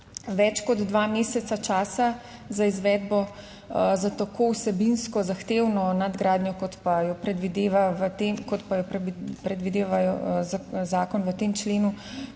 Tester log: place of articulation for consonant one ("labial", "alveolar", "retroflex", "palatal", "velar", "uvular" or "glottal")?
labial